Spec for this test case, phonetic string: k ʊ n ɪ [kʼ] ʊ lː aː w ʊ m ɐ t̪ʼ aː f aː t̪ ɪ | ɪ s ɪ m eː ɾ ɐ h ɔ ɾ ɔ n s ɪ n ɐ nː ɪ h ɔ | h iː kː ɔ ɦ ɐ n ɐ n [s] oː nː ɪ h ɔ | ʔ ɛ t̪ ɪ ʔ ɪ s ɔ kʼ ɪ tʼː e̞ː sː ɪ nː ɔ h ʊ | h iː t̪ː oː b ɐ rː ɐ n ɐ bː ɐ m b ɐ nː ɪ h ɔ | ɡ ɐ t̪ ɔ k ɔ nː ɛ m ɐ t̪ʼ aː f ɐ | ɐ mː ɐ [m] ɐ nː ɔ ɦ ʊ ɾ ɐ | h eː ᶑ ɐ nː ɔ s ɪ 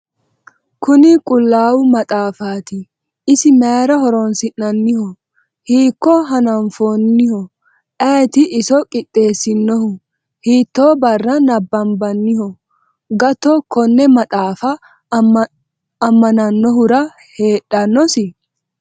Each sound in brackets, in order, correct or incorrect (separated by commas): correct, incorrect, incorrect